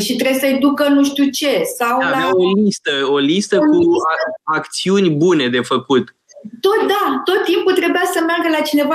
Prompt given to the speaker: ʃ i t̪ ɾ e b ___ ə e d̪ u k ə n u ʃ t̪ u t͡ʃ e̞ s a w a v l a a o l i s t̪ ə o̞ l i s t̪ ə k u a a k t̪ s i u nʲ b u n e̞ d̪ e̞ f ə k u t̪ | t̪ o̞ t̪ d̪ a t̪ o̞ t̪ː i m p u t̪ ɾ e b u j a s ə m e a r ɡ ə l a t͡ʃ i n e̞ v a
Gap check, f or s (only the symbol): s